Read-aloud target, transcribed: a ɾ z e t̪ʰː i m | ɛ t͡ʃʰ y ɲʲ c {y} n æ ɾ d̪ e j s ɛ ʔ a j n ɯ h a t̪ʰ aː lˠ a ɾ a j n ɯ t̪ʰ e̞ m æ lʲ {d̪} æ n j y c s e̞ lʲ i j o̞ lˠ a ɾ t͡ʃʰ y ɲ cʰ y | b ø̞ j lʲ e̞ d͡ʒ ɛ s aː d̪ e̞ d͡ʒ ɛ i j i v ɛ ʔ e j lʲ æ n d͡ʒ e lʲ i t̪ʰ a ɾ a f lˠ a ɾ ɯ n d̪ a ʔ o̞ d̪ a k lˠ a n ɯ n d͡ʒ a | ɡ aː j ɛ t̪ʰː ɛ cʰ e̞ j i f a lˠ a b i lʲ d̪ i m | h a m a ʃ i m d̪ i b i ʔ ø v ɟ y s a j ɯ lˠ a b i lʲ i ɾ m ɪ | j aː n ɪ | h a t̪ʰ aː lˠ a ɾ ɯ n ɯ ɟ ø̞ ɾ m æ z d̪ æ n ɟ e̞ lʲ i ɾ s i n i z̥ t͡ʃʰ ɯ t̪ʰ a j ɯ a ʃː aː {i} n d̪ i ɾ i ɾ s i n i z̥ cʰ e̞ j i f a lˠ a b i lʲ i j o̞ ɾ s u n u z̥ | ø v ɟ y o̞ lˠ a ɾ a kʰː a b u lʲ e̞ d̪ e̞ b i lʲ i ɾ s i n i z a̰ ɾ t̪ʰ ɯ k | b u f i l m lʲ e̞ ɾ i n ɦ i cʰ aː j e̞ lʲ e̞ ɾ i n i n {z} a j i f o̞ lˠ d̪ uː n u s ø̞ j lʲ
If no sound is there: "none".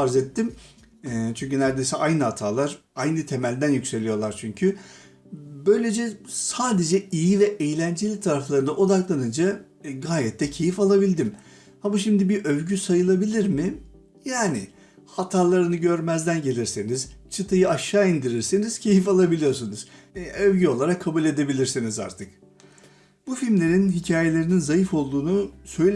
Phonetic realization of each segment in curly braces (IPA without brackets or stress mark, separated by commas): y, d̪, i, z